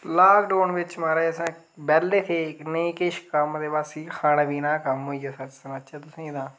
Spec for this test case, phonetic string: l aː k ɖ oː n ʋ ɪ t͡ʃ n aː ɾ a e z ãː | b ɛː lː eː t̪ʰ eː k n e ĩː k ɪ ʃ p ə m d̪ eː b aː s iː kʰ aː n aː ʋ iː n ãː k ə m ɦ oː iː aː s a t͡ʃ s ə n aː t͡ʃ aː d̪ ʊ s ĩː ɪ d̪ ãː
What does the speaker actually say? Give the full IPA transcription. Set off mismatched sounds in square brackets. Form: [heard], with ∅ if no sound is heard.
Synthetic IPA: l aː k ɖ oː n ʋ ɪ t͡ʃ [m] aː ɾ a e [s] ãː | b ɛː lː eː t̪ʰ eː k n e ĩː k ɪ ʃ [k] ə m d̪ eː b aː s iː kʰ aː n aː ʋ iː n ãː k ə m ɦ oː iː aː s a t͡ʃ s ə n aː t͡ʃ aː [t̪] ʊ s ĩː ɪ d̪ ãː